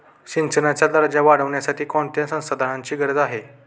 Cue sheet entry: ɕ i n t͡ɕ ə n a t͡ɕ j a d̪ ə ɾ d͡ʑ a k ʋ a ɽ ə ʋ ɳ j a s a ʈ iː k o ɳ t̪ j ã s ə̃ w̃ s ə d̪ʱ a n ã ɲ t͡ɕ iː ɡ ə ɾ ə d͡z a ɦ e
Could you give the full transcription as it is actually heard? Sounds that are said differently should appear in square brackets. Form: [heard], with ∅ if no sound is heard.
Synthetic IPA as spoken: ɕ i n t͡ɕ ə n a t͡ɕ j a d̪ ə ɾ d͡ʑ a [∅] ʋ a ɽ ə ʋ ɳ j a s a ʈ iː k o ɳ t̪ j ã s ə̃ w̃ s ə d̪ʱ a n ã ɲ t͡ɕ iː ɡ ə ɾ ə d͡z a ɦ e